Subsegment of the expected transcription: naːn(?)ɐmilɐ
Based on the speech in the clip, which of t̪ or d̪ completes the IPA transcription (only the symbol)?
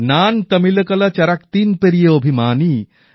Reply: t̪